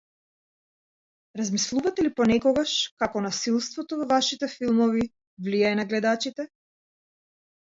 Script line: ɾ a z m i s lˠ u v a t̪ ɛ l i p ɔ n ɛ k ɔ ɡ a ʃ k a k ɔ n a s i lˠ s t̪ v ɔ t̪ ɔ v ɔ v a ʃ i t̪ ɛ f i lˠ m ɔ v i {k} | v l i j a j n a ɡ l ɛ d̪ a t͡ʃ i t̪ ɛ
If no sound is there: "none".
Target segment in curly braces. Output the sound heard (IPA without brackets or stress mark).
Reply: none